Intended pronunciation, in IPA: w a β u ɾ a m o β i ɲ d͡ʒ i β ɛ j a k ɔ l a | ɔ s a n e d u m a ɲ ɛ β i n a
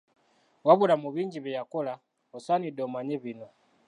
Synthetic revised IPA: w a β u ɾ a m u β i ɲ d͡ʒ i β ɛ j a k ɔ l a | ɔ s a n i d ɔ m a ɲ ɛ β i n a